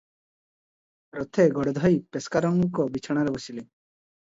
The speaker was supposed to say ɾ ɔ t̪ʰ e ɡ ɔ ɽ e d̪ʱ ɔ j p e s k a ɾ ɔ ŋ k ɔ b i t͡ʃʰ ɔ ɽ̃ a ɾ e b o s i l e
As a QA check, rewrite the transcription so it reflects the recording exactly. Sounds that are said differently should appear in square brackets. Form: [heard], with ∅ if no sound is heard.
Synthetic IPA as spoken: ɾ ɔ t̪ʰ e ɡ ɔ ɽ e d̪ʱ ɔ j p e s k a ɾ ɔ ŋ k ɔ b i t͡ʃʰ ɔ ɽ̃ a ɾ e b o s i l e